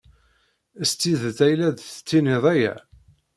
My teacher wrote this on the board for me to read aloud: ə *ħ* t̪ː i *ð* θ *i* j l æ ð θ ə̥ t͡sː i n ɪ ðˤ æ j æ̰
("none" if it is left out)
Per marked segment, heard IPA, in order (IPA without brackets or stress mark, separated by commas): s, ð, æ